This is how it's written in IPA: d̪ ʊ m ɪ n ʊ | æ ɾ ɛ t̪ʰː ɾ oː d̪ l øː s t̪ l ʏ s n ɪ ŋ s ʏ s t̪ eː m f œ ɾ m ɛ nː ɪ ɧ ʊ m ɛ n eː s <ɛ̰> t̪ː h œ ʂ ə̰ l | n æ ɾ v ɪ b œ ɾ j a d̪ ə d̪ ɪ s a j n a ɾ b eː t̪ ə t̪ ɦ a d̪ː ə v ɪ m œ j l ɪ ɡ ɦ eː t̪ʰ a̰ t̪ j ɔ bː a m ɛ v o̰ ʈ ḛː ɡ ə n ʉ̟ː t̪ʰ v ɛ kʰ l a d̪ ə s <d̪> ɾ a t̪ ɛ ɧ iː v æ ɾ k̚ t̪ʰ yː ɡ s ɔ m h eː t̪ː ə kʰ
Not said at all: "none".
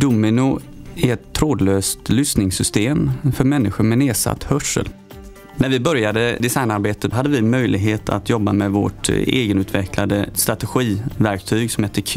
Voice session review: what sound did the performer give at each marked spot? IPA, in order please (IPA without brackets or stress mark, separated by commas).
a̰, t̪